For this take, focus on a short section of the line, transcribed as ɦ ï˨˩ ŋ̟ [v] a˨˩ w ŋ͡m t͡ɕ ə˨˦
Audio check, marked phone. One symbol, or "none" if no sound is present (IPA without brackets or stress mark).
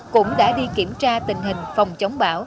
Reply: f